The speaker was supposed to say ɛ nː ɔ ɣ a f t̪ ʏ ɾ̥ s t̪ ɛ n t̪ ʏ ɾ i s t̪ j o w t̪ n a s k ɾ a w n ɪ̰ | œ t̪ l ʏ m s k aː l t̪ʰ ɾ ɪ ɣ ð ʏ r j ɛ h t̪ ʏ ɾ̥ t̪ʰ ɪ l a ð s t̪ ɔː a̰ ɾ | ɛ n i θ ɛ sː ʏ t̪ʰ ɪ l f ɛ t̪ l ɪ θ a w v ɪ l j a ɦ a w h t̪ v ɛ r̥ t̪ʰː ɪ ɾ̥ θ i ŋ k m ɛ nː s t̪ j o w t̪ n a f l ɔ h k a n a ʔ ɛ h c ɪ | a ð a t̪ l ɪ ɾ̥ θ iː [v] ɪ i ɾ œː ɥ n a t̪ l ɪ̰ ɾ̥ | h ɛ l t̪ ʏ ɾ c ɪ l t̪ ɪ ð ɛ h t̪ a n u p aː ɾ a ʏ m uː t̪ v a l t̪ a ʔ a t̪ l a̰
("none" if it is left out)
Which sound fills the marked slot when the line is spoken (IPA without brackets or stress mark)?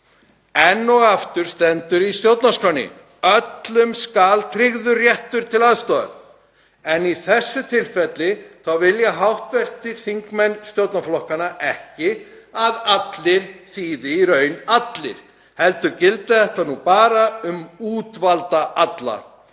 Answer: ð